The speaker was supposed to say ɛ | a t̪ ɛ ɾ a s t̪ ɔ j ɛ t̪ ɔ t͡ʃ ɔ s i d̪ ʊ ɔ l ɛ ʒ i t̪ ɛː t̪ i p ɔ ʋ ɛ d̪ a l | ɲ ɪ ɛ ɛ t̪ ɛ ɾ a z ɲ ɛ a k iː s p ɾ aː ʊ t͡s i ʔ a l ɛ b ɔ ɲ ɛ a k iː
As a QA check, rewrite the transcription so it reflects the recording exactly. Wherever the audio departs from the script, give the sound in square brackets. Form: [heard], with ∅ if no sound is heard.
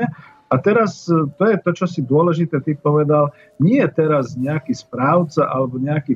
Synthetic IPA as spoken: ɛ | a t̪ ɛ ɾ a s t̪ ɔ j ɛ t̪ ɔ t͡ʃ ɔ s i d̪ ʊ ɔ l ɛ ʒ i t̪ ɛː t̪ i p ɔ ʋ ɛ d̪ a l | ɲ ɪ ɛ ɛ t̪ ɛ ɾ a z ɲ ɛ a k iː s p ɾ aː ʊ t͡s [a] ʔ a l ɛ b ɔ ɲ ɛ a k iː